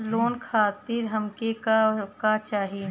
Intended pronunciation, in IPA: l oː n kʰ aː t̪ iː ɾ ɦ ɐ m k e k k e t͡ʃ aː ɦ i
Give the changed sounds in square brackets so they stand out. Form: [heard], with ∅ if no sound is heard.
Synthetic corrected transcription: l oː n kʰ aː t̪ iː ɾ ɦ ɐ m k e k k [a] t͡ʃ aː ɦ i